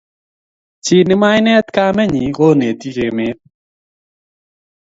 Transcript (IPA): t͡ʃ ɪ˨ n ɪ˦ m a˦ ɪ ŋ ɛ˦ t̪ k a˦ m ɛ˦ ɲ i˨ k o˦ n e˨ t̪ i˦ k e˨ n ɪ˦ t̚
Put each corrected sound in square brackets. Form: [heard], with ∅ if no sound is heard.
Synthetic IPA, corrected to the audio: t͡ʃ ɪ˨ n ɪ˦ m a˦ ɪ [n] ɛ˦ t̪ k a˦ m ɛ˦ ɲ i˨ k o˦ n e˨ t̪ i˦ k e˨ [m] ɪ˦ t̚